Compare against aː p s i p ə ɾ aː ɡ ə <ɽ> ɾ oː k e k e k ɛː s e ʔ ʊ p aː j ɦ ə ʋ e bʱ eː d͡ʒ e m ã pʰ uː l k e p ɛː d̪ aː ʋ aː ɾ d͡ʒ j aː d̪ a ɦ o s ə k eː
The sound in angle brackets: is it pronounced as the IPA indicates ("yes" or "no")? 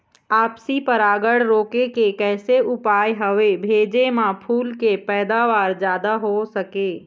yes